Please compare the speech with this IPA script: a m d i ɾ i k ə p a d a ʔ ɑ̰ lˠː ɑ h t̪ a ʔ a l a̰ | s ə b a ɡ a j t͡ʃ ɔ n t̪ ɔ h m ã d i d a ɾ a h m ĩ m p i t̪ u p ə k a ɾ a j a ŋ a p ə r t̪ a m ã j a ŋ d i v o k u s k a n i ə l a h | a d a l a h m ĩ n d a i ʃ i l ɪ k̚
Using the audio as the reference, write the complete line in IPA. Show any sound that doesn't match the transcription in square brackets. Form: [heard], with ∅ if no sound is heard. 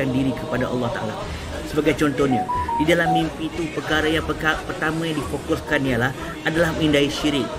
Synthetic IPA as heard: a [n] d i ɾ i k ə p a d a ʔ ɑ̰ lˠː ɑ h t̪ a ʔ a l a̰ | s ə b a ɡ a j t͡ʃ ɔ n t̪ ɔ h [ɲ] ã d i d a [l] a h m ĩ m p i t̪ u p ə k a ɾ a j a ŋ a p ə r t̪ a m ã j a ŋ d i [f] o k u s k a n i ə l a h | a d a l a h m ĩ n d a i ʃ i [ɾ] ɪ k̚

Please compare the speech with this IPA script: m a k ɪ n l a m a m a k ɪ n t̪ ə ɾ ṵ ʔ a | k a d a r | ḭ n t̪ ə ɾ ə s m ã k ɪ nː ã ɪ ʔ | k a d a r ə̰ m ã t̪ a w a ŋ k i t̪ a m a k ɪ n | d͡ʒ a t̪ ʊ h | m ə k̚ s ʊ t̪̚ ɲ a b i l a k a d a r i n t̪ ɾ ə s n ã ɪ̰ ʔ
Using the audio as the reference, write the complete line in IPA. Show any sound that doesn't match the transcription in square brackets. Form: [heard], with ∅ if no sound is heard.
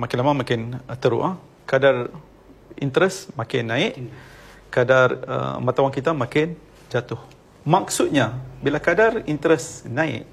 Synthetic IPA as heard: m a k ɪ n l a m a m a k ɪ n t̪ ə ɾ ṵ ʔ a | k a d a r | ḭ n t̪ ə ɾ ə s m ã k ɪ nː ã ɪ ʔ | k a d a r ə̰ m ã t̪ a w a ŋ k i t̪ a m a k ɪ n | d͡ʒ a t̪ ʊ h | m [a] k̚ s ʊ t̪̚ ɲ a b i l a k a d a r i n t̪ ɾ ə s n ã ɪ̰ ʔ

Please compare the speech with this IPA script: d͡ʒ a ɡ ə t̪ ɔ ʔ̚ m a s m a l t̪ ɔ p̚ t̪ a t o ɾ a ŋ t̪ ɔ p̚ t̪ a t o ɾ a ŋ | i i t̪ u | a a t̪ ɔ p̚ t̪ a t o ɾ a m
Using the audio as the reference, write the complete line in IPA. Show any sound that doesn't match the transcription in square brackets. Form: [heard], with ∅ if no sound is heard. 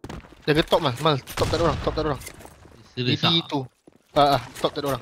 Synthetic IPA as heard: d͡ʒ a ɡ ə t̪ ɔ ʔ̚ m a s m a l t̪ ɔ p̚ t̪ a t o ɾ a ŋ t̪ ɔ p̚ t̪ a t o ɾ a ŋ | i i t̪ u | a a t̪ ɔ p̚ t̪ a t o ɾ a [ŋ]

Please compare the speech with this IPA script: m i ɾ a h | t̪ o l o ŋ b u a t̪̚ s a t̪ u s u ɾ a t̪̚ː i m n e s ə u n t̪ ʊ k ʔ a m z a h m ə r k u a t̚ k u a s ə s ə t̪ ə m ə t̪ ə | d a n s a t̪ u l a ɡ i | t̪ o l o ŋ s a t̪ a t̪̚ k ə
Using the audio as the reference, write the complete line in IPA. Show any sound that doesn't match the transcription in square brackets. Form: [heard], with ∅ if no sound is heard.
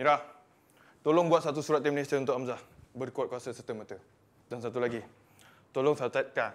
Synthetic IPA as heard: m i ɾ a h | t̪ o l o ŋ b u a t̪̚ s a t̪ u s u ɾ a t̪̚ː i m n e s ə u n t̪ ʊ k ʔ a m z a h [b] ə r k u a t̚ k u a s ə s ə t̪ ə m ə t̪ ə | d a n s a t̪ u l a ɡ i | t̪ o l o ŋ s a t̪ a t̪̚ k [a]

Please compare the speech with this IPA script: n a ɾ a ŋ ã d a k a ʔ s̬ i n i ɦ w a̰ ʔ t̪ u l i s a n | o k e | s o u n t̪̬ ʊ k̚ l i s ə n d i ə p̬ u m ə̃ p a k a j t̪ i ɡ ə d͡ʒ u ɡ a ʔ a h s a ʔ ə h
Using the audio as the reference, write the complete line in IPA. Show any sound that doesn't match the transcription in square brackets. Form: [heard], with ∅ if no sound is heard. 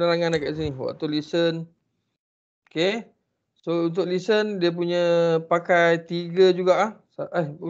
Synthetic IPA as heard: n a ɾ a ŋ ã [n] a k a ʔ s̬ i n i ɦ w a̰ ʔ t̪ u l i s [ə] n | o k e | s o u n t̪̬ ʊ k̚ l i s ə n d i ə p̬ u [ɲ] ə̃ p a k a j t̪ i ɡ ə d͡ʒ u ɡ a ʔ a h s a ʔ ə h

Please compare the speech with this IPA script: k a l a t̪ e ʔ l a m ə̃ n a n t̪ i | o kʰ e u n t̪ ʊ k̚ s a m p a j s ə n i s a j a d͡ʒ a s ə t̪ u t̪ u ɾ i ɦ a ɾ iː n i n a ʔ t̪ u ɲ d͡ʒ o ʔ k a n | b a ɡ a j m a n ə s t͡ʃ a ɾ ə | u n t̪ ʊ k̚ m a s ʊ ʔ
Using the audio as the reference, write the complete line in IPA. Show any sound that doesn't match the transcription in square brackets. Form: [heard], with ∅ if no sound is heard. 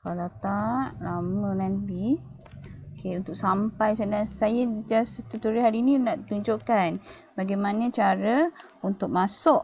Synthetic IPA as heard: k a l a t̪ [a] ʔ l a m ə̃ n a n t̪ i | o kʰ e u n t̪ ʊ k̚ s a m p a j s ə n [a] s a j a d͡ʒ a s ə t̪ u t̪ u ɾ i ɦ a ɾ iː n i n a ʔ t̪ u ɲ d͡ʒ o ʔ k a n | b a ɡ a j m a n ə [∅] t͡ʃ a ɾ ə | u n t̪ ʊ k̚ m a s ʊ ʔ

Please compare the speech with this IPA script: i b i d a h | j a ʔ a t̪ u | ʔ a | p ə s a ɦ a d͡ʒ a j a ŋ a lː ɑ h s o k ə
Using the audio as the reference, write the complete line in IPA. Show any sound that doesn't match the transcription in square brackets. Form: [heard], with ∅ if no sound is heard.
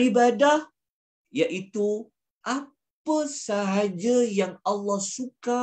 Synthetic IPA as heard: i b [a] d a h | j a ʔ [i] t̪ u | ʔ a | p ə s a ɦ a d͡ʒ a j a ŋ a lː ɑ h s [u] k [a]

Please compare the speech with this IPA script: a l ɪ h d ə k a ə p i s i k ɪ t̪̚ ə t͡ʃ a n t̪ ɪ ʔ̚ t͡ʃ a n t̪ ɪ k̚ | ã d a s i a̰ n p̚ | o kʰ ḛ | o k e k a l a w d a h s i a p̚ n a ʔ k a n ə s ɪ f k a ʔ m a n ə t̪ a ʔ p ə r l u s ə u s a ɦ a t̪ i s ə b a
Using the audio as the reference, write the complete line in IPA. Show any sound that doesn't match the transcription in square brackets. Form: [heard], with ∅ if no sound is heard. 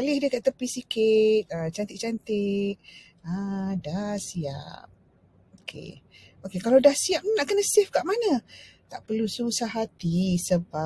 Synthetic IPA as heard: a l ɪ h d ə k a ə p i s i k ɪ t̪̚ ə t͡ʃ a n t̪ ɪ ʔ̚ t͡ʃ a n t̪ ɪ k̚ | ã d a s i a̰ [∅] p̚ | o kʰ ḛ | o k e k a l a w d a h s i a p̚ n a ʔ k [ə] n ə s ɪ f k a ʔ m a n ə t̪ a ʔ p ə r l u s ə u s a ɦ a t̪ i s ə b a

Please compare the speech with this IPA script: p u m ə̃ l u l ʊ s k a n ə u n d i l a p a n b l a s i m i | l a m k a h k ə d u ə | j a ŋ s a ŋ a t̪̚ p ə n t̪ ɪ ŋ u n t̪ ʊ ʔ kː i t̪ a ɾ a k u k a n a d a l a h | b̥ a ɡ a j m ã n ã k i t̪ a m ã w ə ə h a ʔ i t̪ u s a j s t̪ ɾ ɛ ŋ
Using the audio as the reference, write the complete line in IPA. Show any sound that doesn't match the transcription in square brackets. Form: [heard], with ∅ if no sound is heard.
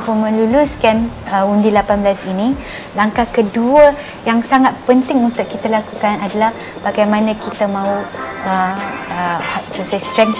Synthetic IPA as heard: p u m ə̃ l u l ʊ s k a n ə u n d i l a p a n b l a s i [n] i | l a [ŋ] k a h k ə d u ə | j a ŋ s a ŋ a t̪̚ p ə n t̪ ɪ ŋ u n t̪ ʊ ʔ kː i t̪ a [l] a k u k a n a d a l a h | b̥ a ɡ a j m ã n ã k i t̪ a m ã [u] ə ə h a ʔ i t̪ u s a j s t̪ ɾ ɛ ŋ

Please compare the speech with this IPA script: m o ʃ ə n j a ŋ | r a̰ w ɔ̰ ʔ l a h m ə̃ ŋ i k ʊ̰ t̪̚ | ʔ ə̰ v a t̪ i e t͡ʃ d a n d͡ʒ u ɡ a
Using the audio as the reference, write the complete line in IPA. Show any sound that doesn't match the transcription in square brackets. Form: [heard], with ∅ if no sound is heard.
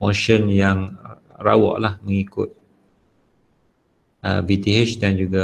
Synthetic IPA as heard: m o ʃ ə n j a ŋ | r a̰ w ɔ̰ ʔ l a h m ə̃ ŋ i k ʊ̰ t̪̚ | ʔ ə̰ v [i] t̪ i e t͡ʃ d a n d͡ʒ u ɡ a

